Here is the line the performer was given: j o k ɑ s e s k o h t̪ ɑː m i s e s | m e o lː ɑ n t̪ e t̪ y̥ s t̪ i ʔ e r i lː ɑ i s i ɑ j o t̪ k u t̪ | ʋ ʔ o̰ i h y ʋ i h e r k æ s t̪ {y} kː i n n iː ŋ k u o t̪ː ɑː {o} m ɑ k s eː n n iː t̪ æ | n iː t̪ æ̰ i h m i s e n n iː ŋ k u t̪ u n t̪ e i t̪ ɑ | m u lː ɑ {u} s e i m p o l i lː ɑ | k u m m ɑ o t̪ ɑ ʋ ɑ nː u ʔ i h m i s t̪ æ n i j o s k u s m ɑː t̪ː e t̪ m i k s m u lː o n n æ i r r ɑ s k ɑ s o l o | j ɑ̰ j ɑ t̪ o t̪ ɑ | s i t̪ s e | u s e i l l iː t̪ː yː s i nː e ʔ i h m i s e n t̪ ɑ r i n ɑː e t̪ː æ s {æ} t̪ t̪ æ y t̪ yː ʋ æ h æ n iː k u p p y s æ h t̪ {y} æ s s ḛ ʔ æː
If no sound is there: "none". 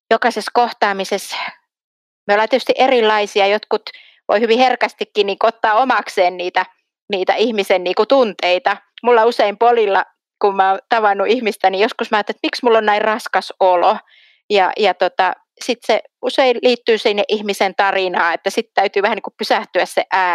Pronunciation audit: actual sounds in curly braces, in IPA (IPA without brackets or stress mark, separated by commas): i, o, u, i, y